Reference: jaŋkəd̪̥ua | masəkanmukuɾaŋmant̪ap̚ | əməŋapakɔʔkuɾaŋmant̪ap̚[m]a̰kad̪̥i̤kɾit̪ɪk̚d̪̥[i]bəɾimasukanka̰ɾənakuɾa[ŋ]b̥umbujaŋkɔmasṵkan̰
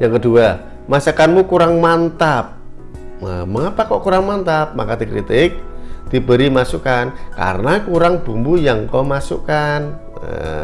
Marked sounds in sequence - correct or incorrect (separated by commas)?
correct, correct, correct